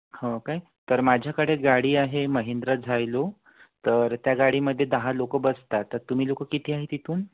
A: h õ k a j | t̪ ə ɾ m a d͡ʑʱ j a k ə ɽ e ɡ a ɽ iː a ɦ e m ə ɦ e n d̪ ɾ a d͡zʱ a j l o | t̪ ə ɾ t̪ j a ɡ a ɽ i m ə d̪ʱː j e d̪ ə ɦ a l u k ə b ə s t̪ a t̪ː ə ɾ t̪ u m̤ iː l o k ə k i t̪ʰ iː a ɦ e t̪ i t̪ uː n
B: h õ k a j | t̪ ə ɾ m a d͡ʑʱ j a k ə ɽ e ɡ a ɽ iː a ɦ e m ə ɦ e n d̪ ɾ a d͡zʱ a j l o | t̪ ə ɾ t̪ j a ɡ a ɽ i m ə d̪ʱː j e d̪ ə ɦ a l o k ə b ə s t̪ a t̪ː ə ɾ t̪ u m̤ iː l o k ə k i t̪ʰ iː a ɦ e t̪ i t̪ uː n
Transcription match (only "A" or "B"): B